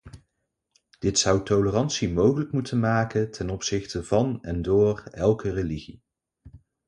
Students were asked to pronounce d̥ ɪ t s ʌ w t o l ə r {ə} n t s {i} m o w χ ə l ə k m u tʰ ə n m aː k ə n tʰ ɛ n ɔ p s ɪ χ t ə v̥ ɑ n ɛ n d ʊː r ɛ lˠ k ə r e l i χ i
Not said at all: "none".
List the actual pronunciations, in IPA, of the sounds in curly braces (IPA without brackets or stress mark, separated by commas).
ɑ, i